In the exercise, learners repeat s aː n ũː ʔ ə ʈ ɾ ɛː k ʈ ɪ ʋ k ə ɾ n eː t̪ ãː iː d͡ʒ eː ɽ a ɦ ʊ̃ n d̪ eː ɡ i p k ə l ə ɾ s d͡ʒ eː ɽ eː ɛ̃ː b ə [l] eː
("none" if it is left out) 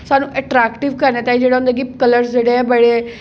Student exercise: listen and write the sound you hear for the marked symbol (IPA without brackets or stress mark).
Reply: ɽ